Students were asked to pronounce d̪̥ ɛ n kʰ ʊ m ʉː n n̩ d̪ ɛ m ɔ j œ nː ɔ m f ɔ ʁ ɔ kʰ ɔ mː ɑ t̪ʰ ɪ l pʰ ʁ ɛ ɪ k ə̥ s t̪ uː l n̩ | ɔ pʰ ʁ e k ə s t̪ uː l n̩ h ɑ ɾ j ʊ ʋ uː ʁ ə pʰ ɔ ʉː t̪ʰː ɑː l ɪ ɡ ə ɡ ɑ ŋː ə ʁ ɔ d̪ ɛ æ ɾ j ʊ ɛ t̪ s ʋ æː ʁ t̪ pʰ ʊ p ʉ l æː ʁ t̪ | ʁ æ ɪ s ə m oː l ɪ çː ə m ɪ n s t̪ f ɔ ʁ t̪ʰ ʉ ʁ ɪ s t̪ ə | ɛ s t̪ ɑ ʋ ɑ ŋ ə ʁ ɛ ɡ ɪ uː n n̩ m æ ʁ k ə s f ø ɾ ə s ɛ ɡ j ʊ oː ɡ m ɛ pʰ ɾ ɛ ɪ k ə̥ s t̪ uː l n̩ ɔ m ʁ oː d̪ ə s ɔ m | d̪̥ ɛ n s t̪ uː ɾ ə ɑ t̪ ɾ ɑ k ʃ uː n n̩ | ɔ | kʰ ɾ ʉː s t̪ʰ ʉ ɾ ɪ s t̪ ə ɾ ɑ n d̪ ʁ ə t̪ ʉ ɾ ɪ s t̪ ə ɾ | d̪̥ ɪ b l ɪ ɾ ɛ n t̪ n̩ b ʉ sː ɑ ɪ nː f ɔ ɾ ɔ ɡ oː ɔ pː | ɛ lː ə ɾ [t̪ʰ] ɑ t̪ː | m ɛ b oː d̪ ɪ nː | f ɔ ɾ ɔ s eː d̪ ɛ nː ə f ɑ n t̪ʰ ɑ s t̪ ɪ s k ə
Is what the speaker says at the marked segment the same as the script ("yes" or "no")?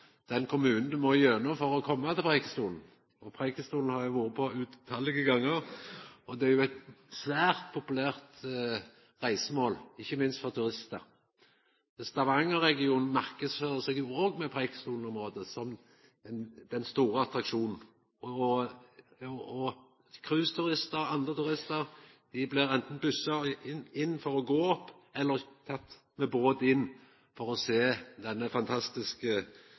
yes